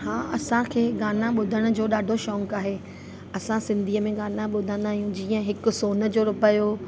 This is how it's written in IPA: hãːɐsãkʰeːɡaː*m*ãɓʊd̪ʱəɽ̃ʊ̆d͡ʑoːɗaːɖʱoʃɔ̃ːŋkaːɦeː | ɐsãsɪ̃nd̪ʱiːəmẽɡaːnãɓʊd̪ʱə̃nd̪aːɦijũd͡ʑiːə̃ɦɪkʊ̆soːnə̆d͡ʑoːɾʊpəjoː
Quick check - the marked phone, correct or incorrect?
incorrect